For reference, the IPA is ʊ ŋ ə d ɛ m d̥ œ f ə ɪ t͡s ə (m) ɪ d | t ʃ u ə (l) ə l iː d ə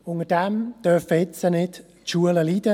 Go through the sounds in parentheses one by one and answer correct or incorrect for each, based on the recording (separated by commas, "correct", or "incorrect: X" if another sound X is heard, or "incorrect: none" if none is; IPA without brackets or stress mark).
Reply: incorrect: n, correct